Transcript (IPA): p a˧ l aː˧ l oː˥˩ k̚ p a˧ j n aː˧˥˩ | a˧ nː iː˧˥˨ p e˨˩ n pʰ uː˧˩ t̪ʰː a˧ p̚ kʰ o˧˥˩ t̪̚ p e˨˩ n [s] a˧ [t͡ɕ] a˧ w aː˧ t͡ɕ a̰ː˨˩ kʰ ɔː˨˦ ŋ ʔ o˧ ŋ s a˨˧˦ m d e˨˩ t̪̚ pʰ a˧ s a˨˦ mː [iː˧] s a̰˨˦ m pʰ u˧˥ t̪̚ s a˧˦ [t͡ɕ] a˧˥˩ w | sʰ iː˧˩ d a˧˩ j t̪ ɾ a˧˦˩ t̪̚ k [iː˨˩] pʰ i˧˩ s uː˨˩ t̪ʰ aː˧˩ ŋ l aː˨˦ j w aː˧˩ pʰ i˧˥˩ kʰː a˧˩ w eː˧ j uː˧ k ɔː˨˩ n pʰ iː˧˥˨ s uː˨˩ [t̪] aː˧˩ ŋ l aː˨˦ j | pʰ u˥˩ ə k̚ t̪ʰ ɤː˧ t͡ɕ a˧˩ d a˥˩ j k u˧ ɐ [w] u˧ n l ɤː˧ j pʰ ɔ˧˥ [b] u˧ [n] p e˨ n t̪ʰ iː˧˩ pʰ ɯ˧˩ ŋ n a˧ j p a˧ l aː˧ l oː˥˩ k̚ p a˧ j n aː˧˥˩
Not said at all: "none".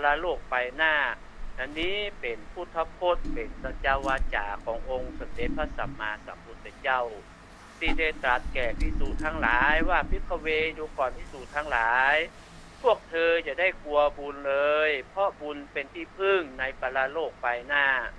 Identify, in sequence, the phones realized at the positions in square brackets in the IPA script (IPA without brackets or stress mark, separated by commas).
s, t͡ɕ, aː˧, t͡ɕ, ɛː˨˩, t̪ʰ, b, b, n